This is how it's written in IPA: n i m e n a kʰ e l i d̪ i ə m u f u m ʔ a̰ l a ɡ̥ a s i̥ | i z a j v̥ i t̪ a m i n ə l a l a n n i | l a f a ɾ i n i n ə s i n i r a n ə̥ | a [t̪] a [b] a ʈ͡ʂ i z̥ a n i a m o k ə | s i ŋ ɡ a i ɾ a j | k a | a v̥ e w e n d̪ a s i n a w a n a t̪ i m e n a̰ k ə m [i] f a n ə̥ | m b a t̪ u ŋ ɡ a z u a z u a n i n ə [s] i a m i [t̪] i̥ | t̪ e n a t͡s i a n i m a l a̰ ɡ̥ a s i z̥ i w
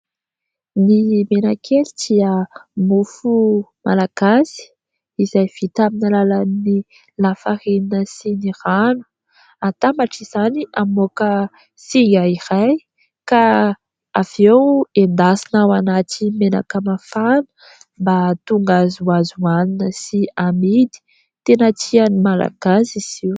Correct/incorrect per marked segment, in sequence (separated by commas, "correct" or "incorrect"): correct, incorrect, incorrect, correct, incorrect